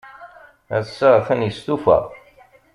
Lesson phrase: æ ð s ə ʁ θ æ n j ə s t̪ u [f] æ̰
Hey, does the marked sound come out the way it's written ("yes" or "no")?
yes